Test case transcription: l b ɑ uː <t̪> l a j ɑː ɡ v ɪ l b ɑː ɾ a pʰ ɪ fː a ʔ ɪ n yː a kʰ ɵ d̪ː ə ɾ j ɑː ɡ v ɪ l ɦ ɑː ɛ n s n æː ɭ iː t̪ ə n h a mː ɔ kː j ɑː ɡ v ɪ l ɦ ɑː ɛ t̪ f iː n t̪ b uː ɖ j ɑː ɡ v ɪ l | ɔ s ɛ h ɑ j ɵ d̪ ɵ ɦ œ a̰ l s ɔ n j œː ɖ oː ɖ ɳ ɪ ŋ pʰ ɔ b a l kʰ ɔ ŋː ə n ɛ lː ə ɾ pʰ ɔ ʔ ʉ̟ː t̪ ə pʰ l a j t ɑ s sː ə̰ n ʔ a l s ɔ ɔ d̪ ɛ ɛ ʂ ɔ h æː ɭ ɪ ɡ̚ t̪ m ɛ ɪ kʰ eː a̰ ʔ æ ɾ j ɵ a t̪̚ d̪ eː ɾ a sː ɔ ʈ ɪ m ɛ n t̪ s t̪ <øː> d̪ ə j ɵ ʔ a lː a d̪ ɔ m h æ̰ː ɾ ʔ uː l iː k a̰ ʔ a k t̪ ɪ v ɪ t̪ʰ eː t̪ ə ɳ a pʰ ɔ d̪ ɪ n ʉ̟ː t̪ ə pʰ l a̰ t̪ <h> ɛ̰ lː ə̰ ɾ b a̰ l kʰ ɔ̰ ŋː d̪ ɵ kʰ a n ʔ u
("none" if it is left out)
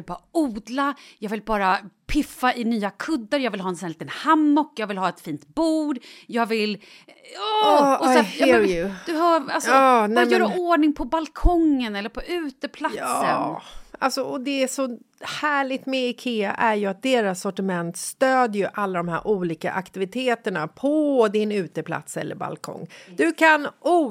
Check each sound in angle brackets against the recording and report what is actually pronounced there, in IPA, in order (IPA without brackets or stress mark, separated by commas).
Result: d̪, øː, s